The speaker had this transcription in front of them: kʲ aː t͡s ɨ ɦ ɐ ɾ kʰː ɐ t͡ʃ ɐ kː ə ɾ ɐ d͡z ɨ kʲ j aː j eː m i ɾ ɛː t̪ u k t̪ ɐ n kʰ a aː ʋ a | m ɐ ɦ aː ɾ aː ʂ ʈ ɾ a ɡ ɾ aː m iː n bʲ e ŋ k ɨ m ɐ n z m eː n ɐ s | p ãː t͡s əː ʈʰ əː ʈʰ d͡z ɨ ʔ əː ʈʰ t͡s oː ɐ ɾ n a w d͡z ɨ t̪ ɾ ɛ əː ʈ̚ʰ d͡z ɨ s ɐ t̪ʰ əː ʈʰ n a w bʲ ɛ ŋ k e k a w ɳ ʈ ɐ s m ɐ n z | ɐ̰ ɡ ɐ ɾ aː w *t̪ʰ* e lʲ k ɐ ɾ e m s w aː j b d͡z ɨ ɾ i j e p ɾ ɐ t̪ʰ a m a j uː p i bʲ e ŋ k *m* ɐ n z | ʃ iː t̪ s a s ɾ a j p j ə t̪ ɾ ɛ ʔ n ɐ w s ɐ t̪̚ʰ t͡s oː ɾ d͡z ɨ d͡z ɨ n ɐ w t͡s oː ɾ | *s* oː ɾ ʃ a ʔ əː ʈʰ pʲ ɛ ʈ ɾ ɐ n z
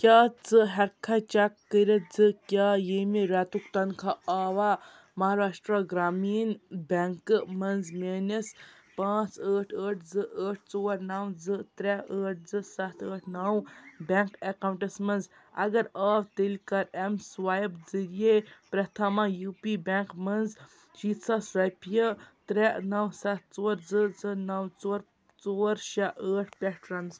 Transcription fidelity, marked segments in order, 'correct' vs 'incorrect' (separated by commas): incorrect, correct, incorrect